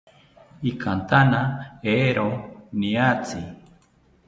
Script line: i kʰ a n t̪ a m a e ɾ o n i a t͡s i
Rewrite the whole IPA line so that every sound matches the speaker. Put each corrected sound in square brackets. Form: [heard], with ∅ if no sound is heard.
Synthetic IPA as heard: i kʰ a n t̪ a [n] a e ɾ o n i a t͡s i